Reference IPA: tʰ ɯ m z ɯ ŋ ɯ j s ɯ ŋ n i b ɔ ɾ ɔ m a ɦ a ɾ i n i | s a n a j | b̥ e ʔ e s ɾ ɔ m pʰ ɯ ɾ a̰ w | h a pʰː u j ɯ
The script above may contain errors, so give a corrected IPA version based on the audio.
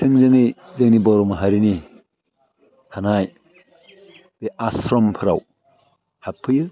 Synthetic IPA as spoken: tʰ ɯ ŋ z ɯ ŋ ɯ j z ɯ ŋ n i b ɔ ɾ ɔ m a ɦ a ɾ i n i | h a n a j | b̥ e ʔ a s ɾ ɔ m pʰ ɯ ɾ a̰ w | h a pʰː ɯ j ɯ